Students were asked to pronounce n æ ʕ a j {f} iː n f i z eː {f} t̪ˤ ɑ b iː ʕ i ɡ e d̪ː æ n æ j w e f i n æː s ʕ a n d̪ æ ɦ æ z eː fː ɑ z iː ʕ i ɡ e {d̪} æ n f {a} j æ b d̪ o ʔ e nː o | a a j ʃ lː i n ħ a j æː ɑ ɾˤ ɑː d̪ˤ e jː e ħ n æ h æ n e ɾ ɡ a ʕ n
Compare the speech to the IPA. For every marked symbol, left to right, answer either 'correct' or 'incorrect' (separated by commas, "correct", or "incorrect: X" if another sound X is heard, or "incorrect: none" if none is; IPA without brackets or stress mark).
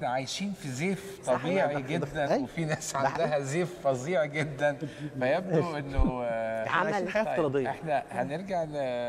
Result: incorrect: ʃ, correct, incorrect: d̪ː, incorrect: æ